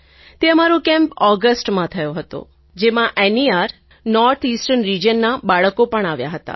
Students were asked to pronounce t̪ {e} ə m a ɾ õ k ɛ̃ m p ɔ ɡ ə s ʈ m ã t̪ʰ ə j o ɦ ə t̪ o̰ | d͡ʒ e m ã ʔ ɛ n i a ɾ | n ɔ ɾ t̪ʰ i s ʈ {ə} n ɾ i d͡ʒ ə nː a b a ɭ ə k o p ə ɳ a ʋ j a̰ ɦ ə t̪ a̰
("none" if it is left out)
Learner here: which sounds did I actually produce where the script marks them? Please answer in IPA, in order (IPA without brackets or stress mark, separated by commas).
e, ə